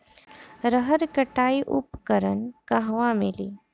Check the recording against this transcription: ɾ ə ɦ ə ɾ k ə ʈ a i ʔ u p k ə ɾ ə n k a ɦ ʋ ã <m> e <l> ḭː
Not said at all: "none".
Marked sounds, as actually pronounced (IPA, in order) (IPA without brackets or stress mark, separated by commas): m, l